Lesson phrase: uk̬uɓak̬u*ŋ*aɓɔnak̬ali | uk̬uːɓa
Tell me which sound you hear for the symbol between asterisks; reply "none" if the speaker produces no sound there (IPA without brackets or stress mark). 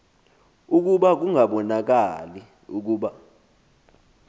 ŋ